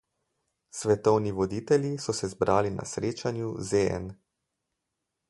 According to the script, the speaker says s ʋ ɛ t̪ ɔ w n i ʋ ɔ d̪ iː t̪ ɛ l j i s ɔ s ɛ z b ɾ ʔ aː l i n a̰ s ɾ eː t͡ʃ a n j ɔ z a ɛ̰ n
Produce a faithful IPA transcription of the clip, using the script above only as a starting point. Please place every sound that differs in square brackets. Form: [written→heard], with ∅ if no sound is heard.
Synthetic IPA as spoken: s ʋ ɛ t̪ ɔ w n i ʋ ɔ d̪ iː t̪ ɛ l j i s ɔ s ɛ z b ɾ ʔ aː l i n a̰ s ɾ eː t͡ʃ a n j [ɔ→u] z [a→e] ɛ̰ n